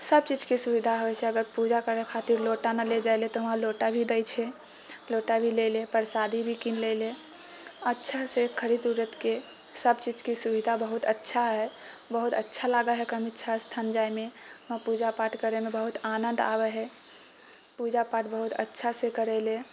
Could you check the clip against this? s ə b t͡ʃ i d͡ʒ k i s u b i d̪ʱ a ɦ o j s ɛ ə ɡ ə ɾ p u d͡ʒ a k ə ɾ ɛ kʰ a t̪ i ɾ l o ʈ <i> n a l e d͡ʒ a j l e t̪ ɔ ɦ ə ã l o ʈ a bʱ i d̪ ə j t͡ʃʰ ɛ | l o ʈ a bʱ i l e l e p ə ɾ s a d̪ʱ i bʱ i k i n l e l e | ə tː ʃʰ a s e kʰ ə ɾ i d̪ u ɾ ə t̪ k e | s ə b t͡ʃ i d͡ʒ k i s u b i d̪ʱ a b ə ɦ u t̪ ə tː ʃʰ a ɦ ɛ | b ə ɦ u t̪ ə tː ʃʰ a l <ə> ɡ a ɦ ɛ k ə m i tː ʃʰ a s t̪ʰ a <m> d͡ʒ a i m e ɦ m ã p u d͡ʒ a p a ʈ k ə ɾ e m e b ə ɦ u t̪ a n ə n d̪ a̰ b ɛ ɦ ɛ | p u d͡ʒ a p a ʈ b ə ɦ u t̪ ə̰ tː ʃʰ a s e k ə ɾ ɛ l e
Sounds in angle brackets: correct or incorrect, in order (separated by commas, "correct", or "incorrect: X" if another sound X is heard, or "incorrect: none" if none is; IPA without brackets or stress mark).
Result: incorrect: a, incorrect: a, incorrect: n